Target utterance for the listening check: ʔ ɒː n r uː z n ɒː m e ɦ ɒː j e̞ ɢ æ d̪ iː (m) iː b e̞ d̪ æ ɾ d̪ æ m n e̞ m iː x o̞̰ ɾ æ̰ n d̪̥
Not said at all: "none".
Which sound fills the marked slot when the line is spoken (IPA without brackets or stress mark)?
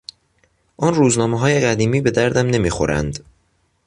m